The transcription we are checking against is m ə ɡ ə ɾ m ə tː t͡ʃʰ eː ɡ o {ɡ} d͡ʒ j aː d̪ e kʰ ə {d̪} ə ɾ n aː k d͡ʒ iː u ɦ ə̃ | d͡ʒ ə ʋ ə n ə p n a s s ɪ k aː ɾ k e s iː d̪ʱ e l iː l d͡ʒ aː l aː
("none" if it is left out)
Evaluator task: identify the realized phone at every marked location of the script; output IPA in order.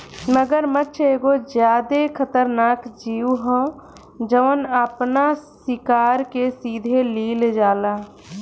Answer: none, t̪

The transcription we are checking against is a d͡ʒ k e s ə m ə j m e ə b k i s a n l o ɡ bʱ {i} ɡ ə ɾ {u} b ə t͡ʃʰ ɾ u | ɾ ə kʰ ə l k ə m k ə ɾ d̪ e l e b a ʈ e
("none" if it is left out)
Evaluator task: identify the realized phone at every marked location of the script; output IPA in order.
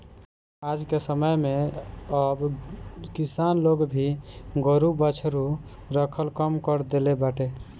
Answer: i, u

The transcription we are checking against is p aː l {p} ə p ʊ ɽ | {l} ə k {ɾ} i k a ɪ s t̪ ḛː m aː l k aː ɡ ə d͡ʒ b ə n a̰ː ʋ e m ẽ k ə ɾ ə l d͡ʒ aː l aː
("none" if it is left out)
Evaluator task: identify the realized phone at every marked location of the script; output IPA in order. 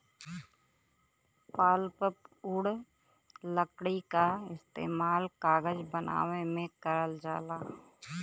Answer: p, l, ɽ

